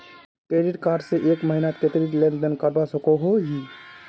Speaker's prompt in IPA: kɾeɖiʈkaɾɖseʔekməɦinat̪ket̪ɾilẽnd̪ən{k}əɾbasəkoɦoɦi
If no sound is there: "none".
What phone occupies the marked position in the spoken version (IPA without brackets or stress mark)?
k